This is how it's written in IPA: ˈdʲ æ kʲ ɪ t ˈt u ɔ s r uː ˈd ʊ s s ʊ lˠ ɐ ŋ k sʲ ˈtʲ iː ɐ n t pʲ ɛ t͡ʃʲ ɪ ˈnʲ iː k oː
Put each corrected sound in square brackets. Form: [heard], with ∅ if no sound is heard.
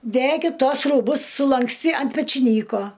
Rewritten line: ˈdʲ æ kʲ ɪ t ˈt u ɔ s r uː [ˈb] ʊ s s ʊ lˠ ɐ ŋ k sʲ ˈtʲ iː ɐ n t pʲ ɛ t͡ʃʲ ɪ ˈnʲ iː k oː